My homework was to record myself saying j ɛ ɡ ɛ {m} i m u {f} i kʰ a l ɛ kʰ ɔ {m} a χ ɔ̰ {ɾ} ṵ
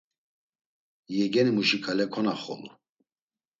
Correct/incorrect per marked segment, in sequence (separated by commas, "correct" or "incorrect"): incorrect, incorrect, incorrect, incorrect